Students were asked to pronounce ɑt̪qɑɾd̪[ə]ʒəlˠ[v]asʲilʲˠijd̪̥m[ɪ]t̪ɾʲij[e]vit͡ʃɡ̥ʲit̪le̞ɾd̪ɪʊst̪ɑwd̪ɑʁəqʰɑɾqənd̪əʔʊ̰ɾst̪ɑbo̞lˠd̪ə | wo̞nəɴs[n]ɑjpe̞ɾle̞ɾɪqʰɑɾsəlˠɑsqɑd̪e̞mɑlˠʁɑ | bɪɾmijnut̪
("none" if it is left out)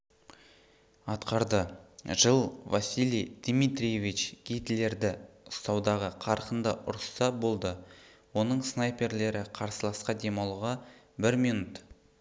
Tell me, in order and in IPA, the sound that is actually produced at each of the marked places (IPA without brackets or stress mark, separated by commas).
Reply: ə, v, i, e, n